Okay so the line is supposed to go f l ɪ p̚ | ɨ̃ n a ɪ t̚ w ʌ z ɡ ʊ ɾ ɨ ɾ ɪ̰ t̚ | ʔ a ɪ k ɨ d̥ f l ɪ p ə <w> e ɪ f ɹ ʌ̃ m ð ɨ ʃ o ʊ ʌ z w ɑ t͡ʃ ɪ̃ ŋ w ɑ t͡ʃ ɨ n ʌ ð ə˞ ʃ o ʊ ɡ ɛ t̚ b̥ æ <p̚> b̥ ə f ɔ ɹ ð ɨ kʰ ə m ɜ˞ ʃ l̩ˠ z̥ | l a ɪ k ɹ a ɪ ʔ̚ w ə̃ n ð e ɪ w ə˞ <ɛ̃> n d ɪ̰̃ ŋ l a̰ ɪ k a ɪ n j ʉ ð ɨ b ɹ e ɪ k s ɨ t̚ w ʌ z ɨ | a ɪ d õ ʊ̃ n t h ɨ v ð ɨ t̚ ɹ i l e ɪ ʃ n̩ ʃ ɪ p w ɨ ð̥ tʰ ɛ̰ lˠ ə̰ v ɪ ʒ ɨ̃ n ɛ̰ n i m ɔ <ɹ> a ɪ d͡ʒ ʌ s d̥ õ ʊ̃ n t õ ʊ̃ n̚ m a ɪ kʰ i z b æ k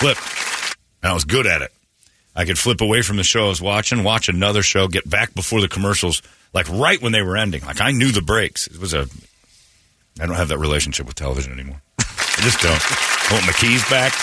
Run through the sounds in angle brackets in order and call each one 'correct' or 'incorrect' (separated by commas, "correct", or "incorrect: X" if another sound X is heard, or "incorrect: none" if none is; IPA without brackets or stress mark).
correct, incorrect: k̚, correct, correct